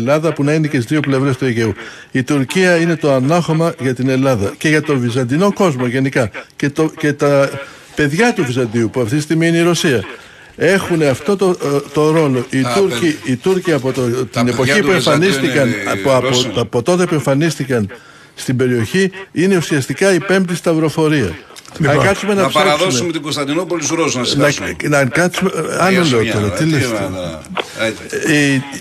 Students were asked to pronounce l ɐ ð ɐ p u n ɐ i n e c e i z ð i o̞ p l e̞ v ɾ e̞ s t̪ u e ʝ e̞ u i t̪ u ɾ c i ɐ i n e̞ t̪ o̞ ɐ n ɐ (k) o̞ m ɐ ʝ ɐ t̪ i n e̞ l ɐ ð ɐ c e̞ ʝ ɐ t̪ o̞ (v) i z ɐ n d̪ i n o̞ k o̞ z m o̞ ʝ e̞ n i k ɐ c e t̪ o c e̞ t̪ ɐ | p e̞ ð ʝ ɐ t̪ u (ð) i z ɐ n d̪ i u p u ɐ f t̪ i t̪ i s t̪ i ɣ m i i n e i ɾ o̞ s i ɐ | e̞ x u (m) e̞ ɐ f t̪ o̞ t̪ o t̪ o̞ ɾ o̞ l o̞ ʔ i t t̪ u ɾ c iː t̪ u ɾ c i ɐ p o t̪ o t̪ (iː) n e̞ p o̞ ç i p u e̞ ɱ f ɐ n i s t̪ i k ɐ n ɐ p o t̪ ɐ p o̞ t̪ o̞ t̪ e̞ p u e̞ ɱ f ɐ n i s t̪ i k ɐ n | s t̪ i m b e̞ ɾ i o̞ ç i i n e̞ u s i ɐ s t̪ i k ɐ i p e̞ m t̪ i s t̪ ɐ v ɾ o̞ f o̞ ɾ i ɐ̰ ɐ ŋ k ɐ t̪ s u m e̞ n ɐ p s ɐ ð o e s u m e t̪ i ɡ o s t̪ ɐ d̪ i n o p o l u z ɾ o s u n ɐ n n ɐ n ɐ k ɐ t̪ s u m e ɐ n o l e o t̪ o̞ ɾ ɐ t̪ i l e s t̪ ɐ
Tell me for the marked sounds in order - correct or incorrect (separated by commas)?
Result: incorrect, correct, incorrect, incorrect, incorrect